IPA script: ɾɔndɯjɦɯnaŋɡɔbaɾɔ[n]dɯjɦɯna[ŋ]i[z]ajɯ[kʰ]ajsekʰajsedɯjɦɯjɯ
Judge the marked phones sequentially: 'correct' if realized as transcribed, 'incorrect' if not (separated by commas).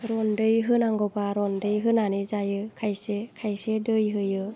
correct, incorrect, correct, correct